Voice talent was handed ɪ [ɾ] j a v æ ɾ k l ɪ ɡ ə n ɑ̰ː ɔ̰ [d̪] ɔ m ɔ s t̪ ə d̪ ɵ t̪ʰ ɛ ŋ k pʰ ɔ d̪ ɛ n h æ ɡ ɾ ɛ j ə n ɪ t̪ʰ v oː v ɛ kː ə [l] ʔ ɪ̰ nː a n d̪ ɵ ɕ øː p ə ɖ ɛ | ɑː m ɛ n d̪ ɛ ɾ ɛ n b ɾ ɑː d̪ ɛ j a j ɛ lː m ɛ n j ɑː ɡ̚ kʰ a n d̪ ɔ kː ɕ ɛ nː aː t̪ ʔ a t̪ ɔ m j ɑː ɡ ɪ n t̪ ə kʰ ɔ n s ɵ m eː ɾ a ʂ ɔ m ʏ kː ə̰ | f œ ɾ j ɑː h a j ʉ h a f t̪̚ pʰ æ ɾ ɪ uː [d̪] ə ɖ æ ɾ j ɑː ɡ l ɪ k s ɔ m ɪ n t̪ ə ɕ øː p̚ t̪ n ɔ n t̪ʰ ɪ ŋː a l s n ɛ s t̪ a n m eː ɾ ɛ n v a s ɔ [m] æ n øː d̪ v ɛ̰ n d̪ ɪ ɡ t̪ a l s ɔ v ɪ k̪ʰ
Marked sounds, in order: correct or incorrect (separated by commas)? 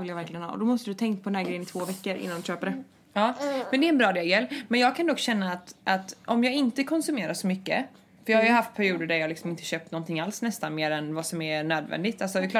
incorrect, correct, incorrect, correct, correct